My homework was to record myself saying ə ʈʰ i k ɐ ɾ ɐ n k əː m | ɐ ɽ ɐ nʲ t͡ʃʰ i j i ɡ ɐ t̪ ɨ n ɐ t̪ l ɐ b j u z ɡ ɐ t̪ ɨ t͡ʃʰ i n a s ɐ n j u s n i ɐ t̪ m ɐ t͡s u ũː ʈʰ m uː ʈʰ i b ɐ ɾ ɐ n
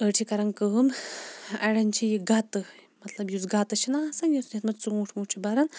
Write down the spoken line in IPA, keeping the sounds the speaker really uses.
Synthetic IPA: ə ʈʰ i k ɐ ɾ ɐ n k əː m | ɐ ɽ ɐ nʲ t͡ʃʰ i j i ɡ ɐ t̪ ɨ m ɐ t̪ l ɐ b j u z ɡ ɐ t̪ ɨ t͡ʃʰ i n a s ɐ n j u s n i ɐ t̪ m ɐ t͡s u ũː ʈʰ m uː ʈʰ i b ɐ ɾ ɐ n